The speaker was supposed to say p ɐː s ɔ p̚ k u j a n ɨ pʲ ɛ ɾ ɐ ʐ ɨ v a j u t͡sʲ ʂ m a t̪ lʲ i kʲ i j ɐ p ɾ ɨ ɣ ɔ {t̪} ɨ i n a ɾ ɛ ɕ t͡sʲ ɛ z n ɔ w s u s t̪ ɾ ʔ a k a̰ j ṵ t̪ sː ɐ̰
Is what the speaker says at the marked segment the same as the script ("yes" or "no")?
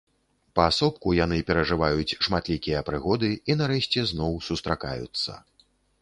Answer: no